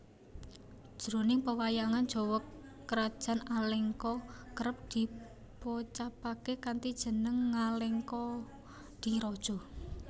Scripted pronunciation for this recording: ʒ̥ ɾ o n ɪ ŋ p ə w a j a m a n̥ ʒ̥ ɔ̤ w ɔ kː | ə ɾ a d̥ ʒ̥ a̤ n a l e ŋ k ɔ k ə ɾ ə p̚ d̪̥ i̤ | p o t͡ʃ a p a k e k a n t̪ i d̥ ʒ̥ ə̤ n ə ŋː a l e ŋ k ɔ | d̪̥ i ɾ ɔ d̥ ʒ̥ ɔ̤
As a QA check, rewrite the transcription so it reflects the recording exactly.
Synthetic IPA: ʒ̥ ɾ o n ɪ ŋ p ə w a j a ŋ a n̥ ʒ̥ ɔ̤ w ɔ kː | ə ɾ a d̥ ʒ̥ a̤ n a l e ŋ k ɔ k ə ɾ ə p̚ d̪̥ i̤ | p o t͡ʃ a p a k e k a n t̪ i d̥ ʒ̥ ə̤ n ə ŋː a l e ŋ k ɔ | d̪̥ i ɾ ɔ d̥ ʒ̥ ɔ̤